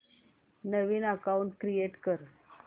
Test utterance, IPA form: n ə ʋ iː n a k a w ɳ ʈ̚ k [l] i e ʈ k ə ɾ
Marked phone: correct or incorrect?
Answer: incorrect